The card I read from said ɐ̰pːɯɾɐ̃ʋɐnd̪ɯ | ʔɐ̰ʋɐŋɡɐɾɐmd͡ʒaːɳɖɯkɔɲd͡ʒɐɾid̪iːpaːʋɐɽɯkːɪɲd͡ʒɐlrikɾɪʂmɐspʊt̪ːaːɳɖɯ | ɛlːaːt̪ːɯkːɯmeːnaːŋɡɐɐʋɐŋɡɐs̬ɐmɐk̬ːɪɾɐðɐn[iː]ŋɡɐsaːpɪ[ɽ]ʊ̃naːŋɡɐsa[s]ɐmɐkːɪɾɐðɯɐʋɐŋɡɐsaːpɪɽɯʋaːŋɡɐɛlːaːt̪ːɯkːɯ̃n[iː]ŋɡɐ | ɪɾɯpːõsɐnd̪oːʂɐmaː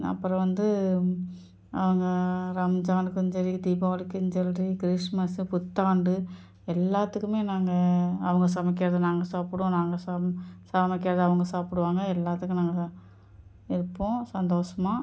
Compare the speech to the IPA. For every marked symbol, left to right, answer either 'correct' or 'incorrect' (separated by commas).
incorrect, correct, correct, incorrect